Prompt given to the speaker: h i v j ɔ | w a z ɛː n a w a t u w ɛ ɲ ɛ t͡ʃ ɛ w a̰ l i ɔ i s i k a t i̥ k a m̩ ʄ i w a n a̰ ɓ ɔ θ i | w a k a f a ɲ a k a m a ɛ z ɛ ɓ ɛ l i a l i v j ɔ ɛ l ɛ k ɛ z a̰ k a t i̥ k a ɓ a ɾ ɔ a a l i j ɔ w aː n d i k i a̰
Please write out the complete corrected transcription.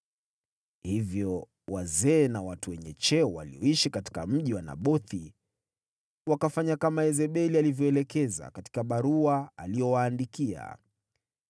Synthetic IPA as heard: h i v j ɔ | w a z ɛː n a w a t u w ɛ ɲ ɛ t͡ʃ ɛ w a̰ l i ɔ i ʃ i k a t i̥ k a m̩ ʄ i w a n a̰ ɓ ɔ θ i | w a k a f a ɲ a k a m a ɛ z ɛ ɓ ɛ l i a l i v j ɔ ɛ l ɛ k ɛ z a̰ k a t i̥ k a ɓ a ɾ u a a l i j ɔ w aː n d i k i a̰